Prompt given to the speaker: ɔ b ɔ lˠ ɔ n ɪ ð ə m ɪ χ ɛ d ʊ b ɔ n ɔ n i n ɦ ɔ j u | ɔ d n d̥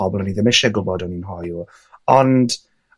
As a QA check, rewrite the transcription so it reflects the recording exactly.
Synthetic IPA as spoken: ɔ b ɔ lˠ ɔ n i ð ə m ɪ ʃ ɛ ɡ ʊ b ɔ d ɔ n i n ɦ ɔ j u | ɔ n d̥